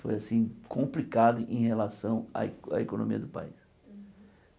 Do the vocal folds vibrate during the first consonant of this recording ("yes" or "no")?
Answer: no